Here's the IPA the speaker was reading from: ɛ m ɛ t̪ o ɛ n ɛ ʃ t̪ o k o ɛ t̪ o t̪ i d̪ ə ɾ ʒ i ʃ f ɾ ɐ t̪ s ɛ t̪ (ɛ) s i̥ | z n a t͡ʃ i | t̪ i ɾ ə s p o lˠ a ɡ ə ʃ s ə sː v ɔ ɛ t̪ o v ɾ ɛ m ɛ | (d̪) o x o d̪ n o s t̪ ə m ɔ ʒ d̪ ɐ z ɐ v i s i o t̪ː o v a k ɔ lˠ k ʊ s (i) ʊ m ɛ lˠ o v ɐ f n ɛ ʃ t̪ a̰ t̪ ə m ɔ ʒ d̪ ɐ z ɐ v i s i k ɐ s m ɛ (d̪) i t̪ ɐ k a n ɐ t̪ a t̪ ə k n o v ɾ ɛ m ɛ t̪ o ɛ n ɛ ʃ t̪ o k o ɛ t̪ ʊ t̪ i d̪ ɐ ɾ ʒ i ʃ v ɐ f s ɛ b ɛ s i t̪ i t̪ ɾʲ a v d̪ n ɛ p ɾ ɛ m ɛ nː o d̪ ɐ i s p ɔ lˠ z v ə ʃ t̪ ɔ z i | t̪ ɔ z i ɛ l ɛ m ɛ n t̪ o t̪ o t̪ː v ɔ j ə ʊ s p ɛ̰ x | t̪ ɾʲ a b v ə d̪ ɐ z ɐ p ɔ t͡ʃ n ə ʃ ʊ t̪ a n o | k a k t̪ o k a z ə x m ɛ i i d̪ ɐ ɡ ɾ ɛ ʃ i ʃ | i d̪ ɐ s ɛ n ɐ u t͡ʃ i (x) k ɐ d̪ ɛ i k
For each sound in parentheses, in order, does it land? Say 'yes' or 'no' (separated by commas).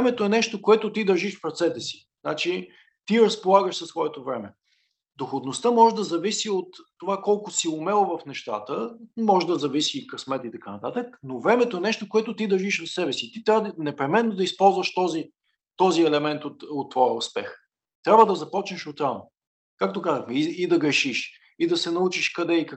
yes, yes, yes, no, no